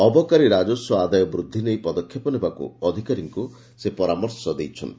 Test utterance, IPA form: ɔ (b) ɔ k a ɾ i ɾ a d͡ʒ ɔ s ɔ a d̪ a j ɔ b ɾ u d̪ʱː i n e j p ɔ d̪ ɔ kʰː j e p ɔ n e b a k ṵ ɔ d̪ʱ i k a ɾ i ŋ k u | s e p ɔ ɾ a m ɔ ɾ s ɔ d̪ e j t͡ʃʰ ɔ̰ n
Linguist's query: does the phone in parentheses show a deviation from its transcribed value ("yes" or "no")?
no